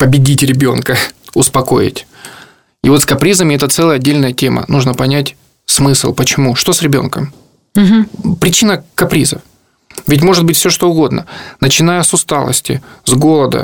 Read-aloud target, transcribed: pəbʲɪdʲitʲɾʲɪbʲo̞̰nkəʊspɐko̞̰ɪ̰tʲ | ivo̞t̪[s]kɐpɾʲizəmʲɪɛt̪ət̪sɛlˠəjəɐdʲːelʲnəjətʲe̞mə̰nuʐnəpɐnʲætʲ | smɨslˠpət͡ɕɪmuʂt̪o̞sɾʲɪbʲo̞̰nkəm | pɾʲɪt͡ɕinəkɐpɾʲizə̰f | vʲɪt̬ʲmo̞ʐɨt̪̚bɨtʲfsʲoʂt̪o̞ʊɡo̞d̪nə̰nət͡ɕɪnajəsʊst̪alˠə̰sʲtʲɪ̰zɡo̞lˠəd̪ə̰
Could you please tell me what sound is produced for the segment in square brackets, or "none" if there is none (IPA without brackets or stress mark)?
s